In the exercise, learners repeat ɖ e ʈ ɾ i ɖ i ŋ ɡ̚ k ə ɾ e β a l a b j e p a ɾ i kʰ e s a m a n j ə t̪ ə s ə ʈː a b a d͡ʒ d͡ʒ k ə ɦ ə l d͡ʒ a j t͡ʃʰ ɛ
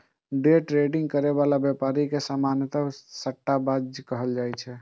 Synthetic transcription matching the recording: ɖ e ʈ ɾ e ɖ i ŋ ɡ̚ k ə ɾ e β a l a b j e p a ɾ i k e s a m a n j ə t̪ ə s ə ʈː a b a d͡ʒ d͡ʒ k ə ɦ ə l d͡ʒ a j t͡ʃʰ ɛ